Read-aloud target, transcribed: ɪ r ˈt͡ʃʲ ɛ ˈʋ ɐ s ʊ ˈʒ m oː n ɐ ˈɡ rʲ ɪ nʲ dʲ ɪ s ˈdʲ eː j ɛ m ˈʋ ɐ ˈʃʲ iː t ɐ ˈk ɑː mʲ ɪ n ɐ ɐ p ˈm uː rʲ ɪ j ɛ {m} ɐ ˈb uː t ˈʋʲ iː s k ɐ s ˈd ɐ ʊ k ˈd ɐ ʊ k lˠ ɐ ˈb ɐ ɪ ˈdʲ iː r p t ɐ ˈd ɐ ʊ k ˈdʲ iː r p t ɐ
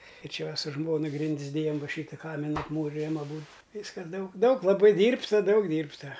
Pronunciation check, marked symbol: correct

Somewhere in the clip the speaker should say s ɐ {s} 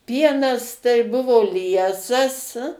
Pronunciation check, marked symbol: correct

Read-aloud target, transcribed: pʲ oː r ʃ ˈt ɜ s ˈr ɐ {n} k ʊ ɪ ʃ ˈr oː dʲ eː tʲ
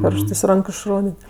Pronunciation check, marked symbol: incorrect: ŋ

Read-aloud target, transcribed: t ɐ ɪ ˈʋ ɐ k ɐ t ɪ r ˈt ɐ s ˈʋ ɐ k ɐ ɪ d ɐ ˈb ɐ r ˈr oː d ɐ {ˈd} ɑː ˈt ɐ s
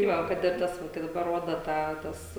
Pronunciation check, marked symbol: incorrect: t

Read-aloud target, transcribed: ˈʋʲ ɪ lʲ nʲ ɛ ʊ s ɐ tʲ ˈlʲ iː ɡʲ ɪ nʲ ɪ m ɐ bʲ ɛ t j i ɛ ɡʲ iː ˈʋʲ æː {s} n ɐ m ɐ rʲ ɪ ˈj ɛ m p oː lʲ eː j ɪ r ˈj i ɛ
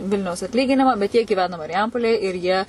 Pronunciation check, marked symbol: incorrect: none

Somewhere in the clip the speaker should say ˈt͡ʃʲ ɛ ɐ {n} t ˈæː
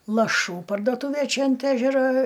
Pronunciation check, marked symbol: correct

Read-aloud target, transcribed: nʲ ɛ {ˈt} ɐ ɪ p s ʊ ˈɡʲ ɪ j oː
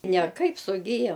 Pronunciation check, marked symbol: incorrect: k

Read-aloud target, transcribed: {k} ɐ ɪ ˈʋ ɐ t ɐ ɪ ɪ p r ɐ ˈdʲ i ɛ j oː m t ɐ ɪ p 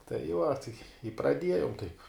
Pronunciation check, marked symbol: incorrect: t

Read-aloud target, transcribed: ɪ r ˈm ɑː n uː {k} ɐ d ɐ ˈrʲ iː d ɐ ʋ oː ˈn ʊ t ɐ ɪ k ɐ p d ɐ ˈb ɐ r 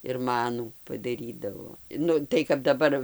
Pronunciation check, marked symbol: incorrect: p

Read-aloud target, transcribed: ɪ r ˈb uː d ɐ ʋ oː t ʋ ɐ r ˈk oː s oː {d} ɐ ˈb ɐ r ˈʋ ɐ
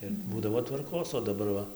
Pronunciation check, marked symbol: correct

